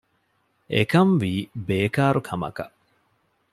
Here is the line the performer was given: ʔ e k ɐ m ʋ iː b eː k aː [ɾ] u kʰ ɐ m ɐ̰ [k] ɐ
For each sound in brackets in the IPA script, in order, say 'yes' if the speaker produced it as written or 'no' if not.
yes, yes

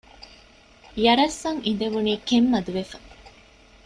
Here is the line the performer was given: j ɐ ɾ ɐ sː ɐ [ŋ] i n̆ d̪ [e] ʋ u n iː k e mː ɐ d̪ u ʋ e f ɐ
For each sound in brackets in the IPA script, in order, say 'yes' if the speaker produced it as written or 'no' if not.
yes, yes

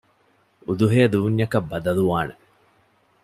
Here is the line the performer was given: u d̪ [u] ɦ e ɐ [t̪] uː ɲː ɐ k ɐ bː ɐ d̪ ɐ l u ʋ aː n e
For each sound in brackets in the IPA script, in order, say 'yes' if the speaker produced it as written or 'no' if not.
yes, no

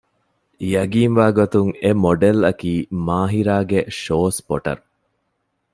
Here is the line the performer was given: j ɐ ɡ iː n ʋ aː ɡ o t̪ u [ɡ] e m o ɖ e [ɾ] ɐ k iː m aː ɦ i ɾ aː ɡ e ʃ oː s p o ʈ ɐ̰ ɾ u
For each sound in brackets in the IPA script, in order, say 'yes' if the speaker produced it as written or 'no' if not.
no, no

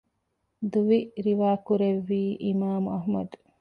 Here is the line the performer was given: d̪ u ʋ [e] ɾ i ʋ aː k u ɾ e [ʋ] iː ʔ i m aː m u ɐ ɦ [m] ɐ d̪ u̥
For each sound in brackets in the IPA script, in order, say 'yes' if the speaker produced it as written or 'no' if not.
no, no, yes

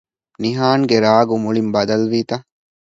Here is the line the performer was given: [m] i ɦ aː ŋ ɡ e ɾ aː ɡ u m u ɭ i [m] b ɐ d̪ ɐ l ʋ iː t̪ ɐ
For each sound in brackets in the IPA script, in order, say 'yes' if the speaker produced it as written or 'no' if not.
no, yes

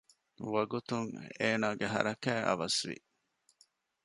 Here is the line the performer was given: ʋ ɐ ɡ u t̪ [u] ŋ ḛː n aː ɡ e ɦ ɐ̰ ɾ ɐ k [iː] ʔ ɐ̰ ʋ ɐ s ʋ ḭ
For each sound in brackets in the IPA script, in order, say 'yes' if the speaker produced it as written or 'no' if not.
yes, no

